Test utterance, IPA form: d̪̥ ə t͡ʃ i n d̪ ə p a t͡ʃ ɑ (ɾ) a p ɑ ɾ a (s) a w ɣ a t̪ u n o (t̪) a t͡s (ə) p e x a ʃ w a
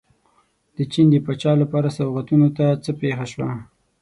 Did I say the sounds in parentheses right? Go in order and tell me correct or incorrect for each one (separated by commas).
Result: incorrect, correct, correct, correct